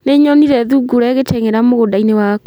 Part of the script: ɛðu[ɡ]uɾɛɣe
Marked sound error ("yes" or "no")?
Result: no